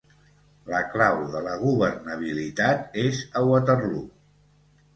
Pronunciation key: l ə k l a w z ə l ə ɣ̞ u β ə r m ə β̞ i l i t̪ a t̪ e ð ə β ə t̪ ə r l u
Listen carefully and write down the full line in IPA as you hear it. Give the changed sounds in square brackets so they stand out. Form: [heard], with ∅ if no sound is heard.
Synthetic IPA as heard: l ə k l a w [ð] ə l ə ɣ̞ u β ə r [n] ə β̞ i l i t̪ a t̪ e [z] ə [w] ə t̪ ə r l u